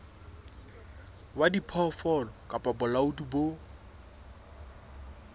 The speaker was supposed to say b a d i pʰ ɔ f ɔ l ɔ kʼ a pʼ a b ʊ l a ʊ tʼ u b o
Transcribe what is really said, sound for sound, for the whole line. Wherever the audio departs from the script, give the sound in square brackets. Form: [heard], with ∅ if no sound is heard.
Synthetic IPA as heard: [w] a d i pʰ ɔ f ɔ l ɔ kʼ a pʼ a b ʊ l a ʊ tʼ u b o